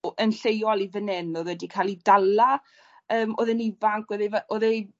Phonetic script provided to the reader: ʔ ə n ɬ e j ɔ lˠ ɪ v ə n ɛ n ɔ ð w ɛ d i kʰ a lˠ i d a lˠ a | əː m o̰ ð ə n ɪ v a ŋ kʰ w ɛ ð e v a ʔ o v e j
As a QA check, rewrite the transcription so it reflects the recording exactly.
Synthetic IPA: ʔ ə n ɬ e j ɔ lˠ i v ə n ɛ n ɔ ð w ɛ d i kʰ a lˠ i d a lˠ a | əː m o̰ ð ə n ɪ v a ŋ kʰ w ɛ ð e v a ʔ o ð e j